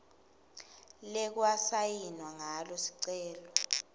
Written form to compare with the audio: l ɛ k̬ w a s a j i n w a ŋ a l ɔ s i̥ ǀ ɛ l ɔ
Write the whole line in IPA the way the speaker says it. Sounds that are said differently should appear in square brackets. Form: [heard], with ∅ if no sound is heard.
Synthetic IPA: l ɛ k̬ w a s a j i n w a ŋ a l ɔ s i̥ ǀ [ɛː] l ɔ

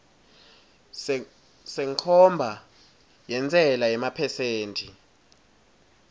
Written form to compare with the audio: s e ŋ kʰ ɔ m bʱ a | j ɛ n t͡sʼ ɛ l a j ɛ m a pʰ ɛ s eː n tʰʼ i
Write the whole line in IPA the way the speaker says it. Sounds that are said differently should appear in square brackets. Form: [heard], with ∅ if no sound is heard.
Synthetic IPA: s [ɛ] ŋ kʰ ɔ m bʱ a | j ɛ n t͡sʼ ɛ l a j ɛ m a pʰ ɛ s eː n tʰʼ i

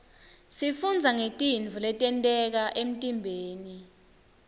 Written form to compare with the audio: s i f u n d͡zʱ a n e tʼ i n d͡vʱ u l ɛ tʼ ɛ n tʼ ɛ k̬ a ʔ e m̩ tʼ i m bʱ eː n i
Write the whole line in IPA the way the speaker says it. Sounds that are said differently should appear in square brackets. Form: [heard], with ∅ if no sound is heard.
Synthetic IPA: s i f u n d͡zʱ a [ŋ] e tʼ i n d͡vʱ u l ɛ tʼ ɛ n tʼ ɛ k̬ a ʔ e m̩ tʼ i m bʱ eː n i

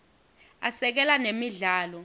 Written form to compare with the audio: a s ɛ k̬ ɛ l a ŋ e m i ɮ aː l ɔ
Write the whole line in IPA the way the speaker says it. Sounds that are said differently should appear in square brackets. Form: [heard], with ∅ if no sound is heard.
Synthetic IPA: a s ɛ k̬ ɛ l a [n] e m i ɮ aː l ɔ

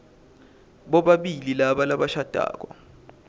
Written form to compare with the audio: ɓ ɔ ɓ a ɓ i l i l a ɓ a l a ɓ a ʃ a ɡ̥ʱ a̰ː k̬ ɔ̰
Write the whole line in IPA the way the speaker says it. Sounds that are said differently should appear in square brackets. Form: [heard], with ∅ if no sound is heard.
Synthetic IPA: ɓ ɔ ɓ a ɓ i l i l a ɓ a l a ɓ a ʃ a [d̥ʱ] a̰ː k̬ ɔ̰

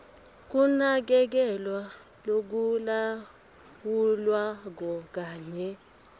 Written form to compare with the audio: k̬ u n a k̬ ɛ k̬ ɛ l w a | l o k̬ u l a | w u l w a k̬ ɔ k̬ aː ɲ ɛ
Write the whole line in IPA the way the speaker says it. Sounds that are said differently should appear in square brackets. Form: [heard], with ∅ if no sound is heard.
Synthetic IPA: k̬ u n a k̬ ɛ k̬ ɛ l w a | l o k̬ u l a | w u l w a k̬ ɔ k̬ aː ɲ ɛ

